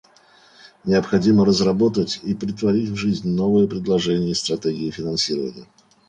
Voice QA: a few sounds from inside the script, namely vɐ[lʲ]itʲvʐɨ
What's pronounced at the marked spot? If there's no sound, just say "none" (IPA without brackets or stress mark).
ɾʲ